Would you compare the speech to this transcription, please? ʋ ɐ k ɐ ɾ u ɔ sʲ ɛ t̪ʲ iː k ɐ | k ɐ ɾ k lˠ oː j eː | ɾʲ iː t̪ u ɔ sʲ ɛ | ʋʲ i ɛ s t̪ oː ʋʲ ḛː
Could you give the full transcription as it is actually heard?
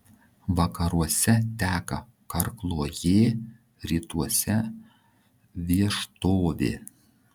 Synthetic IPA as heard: ʋ ɐ k ɐ ɾ u ɔ sʲ ɛ t̪ʲ æː k ɐ | k ɐ ɾ k lˠ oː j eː | ɾʲ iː t̪ u ɔ sʲ ɛ | ʋʲ i ɛ ʃ t̪ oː ʋʲ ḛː

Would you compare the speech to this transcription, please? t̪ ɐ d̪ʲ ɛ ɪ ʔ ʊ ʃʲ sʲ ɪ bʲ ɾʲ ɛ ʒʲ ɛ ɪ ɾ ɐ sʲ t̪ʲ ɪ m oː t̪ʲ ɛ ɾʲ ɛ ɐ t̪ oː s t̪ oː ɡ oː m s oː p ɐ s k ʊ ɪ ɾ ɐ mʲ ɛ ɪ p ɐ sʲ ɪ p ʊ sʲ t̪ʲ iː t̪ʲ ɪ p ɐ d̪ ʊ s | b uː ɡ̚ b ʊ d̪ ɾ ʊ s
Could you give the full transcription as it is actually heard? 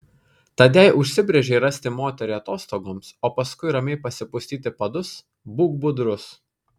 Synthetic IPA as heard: t̪ ɐ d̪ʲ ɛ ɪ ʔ ʊ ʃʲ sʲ ɪ bʲ ɾʲ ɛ ʒʲ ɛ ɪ ɾ ɐ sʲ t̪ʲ ɪ m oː t̪ʲ ɛ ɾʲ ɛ ɐ t̪ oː s t̪ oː ɡ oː m s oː p ɐ s k ʊ ɪ ɾ ɐ mʲ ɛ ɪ p ɐ sʲ ɪ p ʊ sʲ t̪ʲ iː t̪ʲ ɪ p ɐ d̪ ʊ s | b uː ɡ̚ b ʊ d̪ ɾ ʊ s

